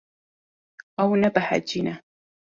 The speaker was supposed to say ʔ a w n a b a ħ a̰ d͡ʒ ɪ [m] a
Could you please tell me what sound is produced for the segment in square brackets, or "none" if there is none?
n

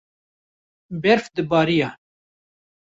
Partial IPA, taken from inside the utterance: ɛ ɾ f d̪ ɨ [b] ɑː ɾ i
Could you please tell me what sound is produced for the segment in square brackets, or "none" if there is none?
b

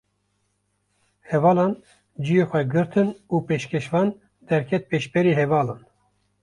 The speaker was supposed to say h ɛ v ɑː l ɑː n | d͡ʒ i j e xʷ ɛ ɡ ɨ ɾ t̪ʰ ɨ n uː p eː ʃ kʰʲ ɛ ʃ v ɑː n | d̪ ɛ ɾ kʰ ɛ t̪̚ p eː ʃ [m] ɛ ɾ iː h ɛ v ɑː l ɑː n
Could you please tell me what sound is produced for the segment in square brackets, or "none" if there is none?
b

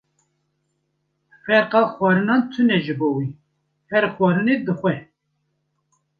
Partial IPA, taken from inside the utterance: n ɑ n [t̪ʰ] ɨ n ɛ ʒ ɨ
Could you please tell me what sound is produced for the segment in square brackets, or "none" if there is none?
t̪ʰ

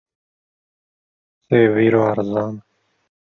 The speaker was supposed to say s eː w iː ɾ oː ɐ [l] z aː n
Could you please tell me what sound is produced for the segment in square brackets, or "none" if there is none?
ɾ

